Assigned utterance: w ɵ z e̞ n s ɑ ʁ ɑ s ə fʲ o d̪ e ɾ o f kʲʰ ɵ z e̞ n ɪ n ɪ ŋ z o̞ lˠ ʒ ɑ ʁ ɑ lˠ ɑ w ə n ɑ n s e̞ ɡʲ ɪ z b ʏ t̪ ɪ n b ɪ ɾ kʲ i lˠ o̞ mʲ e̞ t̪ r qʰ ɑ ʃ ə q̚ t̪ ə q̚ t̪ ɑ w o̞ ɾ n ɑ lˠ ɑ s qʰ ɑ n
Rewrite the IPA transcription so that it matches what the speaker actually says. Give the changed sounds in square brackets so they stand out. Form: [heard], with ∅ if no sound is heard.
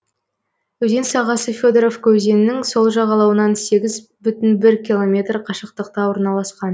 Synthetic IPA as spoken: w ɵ z e̞ n s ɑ ʁ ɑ s ə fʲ o d̪ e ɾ o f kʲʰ ɵ z e̞ n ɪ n ɪ ŋ [s] o̞ lˠ ʒ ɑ ʁ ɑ lˠ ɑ w ə n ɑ n s e̞ ɡʲ ɪ z b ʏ t̪ ɪ n b ɪ ɾ kʲ i lˠ o̞ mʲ e̞ t̪ r qʰ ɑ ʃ ə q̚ t̪ ə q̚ t̪ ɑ w o̞ ɾ n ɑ lˠ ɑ s [q] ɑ n